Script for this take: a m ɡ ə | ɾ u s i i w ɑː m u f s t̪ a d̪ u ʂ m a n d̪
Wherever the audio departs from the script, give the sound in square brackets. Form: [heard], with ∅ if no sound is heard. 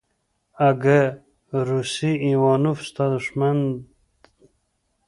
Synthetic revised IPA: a [∅] ɡ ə | ɾ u s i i w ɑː [n] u f s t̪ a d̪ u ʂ m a n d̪